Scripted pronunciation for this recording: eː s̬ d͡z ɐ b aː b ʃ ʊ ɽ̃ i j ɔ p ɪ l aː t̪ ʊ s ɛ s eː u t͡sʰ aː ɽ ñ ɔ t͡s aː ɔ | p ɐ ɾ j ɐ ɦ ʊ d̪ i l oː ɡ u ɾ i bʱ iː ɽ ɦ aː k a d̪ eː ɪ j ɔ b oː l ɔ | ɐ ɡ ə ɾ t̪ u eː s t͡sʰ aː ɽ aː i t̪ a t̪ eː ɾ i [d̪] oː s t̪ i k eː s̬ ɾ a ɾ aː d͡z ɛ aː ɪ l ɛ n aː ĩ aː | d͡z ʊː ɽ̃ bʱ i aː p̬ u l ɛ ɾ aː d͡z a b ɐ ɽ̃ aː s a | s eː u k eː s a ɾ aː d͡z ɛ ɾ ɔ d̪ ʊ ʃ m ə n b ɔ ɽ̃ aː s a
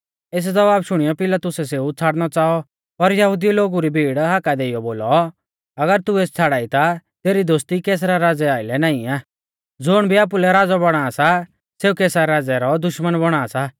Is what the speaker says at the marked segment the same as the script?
yes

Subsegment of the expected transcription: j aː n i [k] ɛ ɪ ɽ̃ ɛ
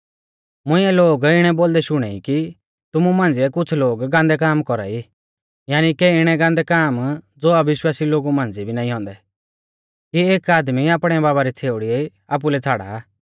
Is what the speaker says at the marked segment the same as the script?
yes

